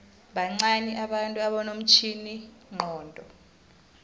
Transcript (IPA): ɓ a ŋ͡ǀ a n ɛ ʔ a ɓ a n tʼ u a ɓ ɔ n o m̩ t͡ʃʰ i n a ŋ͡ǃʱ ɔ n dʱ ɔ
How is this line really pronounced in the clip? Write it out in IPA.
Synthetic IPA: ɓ a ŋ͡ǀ a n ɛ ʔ a ɓ a n tʼ u a ɓ ɔ n o m̩ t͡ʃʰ i n i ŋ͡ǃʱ ɔː n dʱ ɔ